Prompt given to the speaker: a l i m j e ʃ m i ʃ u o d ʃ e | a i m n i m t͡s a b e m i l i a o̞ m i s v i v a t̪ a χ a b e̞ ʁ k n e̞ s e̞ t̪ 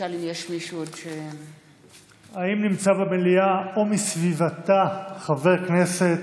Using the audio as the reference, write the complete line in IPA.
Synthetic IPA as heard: a l i m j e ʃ m i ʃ u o d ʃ e | a i m n i m t͡s a b e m e l i a o̞ m i s v i v a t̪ a χ a v e̞ ʁ k n e̞ s e̞ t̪